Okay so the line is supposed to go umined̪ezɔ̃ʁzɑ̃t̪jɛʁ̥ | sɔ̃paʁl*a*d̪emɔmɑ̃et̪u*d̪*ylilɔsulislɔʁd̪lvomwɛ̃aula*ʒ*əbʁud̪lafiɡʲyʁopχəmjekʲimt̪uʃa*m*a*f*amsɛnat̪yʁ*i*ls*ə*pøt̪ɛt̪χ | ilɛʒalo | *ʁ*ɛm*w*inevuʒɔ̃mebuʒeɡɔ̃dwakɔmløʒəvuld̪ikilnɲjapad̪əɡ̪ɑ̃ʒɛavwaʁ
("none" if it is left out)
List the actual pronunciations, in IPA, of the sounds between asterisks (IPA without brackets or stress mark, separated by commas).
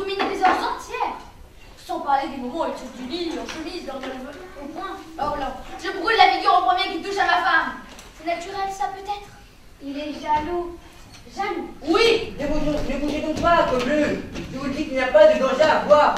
e, d̪, ʒ, m, f, ɛ, a, ʒ, w